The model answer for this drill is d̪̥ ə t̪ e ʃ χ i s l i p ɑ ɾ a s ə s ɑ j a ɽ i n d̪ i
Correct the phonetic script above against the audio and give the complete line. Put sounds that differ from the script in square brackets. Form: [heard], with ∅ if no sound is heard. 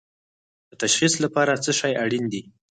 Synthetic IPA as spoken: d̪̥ ə t̪ [a] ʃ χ i s l [a] p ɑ ɾ a [t͡s] ə [ʃ] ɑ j a ɽ i n d̪ i